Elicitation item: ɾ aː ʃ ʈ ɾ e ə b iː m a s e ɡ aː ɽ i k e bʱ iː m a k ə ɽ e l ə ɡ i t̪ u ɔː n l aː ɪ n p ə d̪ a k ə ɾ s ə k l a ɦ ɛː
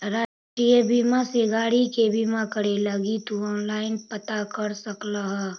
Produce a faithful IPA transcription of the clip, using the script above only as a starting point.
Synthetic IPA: ɾ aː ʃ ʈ ɾ i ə b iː m a s e ɡ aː ɽ i k e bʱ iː m a k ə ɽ e l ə ɡ i t̪ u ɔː n l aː ɪ n p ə t̪ a k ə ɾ s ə k l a ɦ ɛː